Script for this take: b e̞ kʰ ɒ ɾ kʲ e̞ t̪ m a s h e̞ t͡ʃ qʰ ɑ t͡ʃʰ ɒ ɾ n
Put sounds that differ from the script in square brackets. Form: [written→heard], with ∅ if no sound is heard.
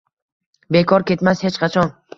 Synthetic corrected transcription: b e̞ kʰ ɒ ɾ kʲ e̞ t̪ m a s h e̞ t͡ʃ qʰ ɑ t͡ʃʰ ɒ [ɾ→∅] n